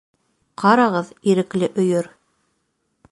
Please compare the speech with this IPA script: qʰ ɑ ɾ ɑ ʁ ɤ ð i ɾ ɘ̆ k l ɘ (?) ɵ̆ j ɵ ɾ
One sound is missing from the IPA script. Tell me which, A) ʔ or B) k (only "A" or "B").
A